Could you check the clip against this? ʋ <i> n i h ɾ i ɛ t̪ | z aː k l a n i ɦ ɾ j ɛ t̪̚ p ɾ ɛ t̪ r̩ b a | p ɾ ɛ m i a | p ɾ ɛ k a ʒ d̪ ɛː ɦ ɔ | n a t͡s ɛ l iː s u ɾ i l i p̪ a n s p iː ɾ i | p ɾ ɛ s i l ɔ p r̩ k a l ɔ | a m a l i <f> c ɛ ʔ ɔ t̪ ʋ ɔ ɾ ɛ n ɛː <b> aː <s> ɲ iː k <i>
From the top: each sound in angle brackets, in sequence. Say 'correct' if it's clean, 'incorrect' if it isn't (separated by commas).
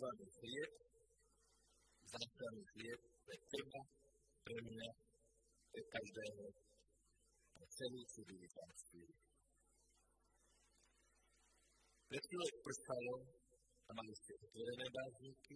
incorrect, incorrect, correct, incorrect, correct